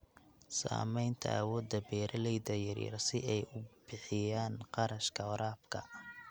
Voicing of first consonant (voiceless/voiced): voiceless